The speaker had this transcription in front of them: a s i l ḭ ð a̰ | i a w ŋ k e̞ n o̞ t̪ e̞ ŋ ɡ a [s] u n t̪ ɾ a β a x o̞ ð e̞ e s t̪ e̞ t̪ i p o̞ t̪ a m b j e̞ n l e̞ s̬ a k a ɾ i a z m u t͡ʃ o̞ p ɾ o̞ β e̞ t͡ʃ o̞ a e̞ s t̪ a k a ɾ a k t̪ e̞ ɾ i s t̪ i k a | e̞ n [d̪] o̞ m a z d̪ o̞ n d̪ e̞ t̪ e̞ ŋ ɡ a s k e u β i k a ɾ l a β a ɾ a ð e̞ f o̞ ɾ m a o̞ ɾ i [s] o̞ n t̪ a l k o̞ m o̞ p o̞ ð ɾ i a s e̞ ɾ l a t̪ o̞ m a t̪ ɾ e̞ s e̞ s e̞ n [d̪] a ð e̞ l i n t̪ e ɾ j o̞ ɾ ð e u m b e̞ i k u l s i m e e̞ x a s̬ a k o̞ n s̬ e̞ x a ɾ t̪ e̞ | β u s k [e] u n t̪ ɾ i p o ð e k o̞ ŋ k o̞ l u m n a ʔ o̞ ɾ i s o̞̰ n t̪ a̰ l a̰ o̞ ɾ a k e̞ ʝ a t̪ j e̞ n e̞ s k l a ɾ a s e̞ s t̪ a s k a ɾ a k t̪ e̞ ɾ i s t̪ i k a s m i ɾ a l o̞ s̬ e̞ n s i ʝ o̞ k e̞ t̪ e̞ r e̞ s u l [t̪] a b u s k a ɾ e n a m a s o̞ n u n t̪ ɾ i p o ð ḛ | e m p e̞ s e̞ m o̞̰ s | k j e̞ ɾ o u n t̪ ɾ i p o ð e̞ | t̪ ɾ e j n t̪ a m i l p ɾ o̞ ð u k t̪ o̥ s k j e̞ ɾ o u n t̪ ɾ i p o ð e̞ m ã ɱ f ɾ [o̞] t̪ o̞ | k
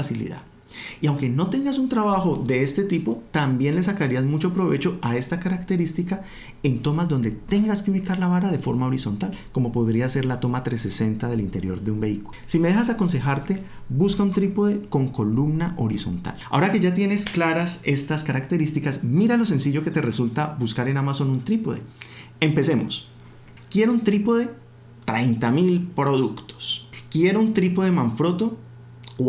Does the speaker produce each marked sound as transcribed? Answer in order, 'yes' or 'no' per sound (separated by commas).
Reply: yes, no, yes, no, no, yes, yes